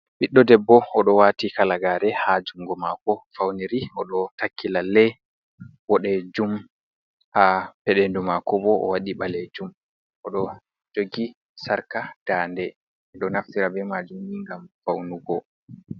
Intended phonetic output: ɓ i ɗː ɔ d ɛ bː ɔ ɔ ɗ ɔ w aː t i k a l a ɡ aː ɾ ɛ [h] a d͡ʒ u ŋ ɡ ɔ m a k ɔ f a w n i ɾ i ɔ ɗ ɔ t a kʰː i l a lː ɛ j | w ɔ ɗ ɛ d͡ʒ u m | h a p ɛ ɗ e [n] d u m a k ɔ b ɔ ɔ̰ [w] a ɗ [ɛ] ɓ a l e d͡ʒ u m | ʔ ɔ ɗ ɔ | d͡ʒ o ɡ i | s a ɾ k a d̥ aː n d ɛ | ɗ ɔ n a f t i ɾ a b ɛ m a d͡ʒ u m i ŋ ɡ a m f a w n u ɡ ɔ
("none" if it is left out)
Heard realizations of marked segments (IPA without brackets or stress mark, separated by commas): h, n, w, i